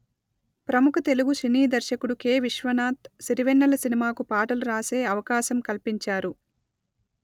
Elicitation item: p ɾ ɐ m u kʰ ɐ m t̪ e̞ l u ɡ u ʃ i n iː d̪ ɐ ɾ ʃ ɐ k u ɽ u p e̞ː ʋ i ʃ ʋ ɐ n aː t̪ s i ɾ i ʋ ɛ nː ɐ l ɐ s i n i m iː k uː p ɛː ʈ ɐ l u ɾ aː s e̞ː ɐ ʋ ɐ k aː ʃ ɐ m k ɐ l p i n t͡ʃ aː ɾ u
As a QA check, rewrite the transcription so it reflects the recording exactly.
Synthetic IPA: p ɾ ɐ m u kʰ ɐ t̪ e̞ l u ɡ u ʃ i n iː d̪ ɐ ɾ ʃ ɐ k u ɽ u k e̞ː ʋ i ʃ ʋ ɐ n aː t̪ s i ɾ i ʋ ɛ nː ɐ l ɐ s i n i m aː k u p aː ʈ ɐ l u ɾ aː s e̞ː ɐ ʋ ɐ k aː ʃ ɐ m k ɐ l p i ɲ t͡ʃ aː ɾ u